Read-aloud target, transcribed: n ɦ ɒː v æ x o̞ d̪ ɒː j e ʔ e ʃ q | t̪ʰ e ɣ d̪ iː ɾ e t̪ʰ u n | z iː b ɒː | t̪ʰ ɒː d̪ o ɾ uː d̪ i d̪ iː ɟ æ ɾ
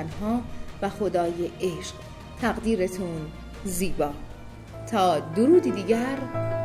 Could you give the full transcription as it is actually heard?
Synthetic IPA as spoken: n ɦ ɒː v æ x o̞ d̪ ɒː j e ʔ e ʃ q | t̪ʰ æ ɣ d̪ iː ɾ e t̪ʰ u n | z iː b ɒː | t̪ʰ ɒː d̪ o ɾ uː d̪ i d̪ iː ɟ æ ɾ